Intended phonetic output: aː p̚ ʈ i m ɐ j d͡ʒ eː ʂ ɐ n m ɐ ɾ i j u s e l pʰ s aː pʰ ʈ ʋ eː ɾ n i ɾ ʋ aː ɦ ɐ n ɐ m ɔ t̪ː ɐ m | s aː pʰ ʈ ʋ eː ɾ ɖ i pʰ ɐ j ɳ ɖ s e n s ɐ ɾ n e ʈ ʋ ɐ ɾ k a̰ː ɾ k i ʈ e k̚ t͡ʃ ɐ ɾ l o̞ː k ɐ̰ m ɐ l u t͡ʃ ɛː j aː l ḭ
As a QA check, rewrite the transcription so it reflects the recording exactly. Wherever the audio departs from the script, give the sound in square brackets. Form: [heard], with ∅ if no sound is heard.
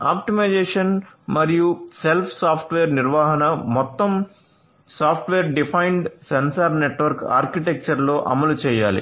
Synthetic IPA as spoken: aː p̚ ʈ i m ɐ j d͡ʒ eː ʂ ɐ n m ɐ ɾ i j u s e l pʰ s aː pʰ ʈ ʋ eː ɾ n i ɾ ʋ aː ɦ ɐ n ɐ m ɔ t̪ː ɐ m | s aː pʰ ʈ ʋ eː ɾ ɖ i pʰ ɐ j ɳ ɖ s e n s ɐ ɾ n e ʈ ʋ ɐ ɾ k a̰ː ɾ k i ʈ e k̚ t͡ʃ ɐ ɾ l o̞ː [ʔ] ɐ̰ m ɐ l u t͡ʃ ɛː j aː l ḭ